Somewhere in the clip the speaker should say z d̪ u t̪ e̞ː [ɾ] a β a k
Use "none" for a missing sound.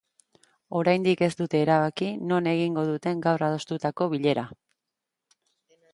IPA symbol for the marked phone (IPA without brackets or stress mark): ɾ